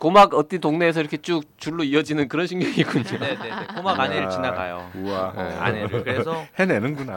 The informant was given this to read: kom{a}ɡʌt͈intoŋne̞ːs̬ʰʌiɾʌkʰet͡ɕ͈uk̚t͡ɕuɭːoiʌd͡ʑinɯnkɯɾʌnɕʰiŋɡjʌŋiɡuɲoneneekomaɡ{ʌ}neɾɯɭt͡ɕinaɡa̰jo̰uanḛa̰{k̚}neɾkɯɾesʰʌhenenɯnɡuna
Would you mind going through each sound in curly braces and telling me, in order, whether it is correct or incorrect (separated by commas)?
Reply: correct, incorrect, incorrect